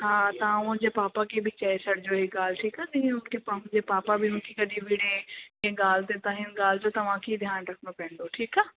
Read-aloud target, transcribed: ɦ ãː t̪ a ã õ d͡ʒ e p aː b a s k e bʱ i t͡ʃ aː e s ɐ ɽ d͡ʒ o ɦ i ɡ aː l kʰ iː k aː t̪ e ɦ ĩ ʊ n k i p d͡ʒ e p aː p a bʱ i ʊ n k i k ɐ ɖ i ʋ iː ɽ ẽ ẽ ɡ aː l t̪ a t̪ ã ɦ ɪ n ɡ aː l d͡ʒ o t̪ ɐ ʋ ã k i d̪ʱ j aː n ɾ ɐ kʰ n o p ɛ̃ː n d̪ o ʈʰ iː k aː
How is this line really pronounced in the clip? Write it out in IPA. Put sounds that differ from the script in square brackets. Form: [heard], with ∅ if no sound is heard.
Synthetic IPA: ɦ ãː t̪ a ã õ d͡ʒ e p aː [p] a [∅] k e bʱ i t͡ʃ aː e s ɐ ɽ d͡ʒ o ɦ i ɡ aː l [ʈʰ] iː k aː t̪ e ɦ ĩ ʊ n k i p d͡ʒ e p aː p a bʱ i ʊ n k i k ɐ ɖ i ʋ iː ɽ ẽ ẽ ɡ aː l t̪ [e] t̪ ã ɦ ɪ n ɡ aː l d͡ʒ o t̪ ɐ ʋ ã k i d̪ʱ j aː n ɾ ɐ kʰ n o p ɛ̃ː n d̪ o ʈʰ iː k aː